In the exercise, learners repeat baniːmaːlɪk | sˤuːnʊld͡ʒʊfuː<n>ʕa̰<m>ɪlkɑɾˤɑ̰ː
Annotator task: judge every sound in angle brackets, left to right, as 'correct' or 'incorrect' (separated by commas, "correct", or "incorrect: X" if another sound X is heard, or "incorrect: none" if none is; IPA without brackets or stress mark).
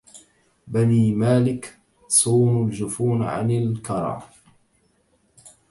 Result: correct, incorrect: n